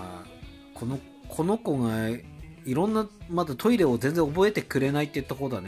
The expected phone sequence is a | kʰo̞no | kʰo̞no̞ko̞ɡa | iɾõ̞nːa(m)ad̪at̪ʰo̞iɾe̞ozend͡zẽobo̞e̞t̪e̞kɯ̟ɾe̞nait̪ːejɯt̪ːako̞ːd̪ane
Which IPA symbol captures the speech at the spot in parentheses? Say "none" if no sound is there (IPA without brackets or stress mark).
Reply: m